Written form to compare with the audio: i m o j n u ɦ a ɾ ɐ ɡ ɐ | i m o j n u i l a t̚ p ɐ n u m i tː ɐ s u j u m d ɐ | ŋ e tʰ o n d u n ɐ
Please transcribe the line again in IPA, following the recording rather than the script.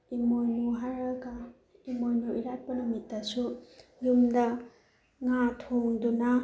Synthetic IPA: i m o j n u ɦ a ɾ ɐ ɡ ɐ | i m o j n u i ɾ a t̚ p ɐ n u m i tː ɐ s u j u m d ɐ | ŋ a tʰ o ŋ d u n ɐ